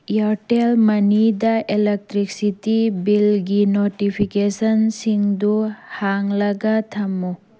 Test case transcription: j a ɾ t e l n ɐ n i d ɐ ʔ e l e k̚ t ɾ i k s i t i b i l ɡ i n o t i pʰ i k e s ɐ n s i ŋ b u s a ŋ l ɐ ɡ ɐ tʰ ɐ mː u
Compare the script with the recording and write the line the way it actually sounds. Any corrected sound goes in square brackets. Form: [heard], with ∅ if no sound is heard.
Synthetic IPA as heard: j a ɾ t e l [m] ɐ n i d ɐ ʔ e l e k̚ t ɾ i k s i t i b i l ɡ i n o t i pʰ i k e s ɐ n s i ŋ [d] u [h] a ŋ l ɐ ɡ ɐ tʰ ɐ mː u